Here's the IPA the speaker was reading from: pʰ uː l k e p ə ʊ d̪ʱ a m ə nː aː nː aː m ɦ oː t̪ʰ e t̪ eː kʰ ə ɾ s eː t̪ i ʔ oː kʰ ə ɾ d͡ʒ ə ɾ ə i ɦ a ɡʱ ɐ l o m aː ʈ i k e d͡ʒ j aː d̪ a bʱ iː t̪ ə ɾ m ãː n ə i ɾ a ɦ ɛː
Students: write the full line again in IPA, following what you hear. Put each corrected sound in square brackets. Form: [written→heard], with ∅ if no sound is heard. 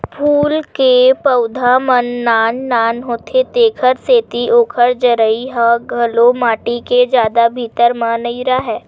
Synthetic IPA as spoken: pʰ uː l k e p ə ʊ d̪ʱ a m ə nː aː nː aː [m→n] ɦ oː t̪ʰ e t̪ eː kʰ ə ɾ s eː t̪ i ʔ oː kʰ ə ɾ d͡ʒ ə ɾ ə i ɦ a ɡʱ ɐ l o m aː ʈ i k e d͡ʒ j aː d̪ a bʱ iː t̪ ə ɾ m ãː n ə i ɾ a ɦ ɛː